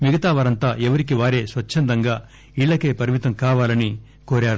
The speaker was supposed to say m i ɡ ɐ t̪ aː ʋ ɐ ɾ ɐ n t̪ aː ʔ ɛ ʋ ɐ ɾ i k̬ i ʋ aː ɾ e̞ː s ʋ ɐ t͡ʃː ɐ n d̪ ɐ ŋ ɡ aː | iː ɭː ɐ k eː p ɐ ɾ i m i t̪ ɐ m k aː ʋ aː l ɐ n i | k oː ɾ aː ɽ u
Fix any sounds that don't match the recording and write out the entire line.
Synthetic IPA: m i ɡ ɐ t̪ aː ʋ ɐ ɾ ɐ n t̪ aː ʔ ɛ ʋ ɐ ɾ i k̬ i ʋ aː ɾ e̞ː s ʋ ɐ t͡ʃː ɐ n d̪ ɐ ŋ ɡ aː | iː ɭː ɐ k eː p ɐ ɾ i m i t̪ ɐ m k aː ʋ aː l ɐ n i | k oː ɾ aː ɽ u